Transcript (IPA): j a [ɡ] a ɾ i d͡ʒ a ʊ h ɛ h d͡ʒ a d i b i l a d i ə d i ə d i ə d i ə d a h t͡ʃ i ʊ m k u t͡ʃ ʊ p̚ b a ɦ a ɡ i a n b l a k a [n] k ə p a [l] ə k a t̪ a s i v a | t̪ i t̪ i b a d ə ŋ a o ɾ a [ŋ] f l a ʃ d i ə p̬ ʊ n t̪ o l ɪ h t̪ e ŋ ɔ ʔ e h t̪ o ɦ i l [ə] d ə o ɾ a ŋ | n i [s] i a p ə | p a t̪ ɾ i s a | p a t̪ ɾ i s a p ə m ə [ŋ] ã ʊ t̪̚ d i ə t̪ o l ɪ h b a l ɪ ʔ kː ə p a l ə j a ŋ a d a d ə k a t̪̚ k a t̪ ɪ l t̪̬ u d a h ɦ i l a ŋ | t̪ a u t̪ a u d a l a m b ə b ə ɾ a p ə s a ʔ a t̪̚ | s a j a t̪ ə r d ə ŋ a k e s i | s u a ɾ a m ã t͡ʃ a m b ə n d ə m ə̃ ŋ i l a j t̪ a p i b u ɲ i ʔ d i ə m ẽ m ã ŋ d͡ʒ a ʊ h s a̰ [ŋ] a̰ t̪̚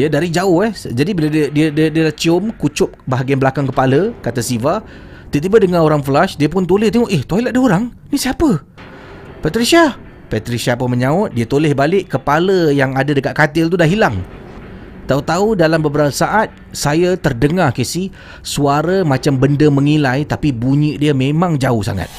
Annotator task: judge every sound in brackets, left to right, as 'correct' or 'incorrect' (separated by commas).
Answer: incorrect, incorrect, correct, correct, incorrect, correct, incorrect, correct